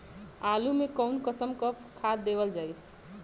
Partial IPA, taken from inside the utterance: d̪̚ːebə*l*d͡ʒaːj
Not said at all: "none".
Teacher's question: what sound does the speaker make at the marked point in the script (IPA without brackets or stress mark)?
l